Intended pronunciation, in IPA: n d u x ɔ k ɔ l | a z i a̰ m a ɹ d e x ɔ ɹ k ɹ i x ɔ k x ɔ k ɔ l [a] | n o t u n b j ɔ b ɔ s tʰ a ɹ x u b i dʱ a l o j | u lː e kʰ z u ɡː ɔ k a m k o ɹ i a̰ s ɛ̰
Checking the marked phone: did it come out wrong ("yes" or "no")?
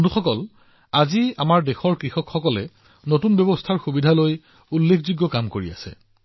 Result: yes